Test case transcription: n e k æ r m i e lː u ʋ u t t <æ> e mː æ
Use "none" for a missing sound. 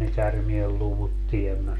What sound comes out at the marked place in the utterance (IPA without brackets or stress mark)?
i